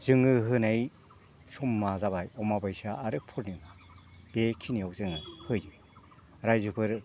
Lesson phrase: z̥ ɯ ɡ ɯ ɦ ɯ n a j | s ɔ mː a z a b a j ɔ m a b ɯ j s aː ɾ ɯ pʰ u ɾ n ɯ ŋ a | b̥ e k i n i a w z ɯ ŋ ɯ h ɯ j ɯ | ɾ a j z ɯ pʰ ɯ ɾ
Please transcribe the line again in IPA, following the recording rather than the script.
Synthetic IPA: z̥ ɯ ŋ ɯ ɦ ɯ n a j | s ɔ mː a z a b a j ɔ m a b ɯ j s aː ɾ ɯ pʰ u ɾ n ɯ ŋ a | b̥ e kʰ i n i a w z ɯ ŋ ɯ h ɯ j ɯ | ɾ a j z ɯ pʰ ɯ ɾ